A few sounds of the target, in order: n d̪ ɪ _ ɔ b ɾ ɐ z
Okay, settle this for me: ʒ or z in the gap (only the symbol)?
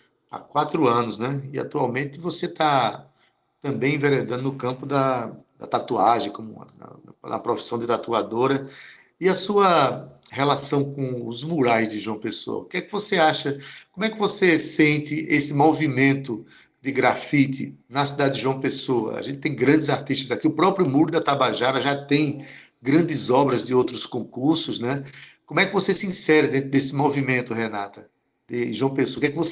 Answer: z